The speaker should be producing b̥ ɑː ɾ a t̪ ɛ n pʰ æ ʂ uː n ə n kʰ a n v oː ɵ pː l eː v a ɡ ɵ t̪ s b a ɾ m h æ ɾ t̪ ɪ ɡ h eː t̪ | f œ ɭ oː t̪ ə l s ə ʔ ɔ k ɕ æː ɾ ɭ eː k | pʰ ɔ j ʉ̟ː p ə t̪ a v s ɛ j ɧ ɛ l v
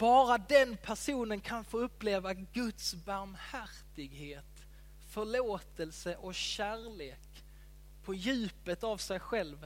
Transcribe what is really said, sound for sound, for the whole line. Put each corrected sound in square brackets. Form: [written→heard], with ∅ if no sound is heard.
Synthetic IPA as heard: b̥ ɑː ɾ a [t̪→d̪] ɛ n pʰ æ ʂ uː n ə n kʰ a n [v→f] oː ɵ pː l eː v a ɡ ɵ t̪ s b a ɾ m h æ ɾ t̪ ɪ ɡ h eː t̪ | f œ ɭ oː t̪ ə l s ə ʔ ɔ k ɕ æː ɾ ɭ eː k | pʰ ɔ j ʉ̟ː p ə t̪ a v s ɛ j ɧ ɛ l v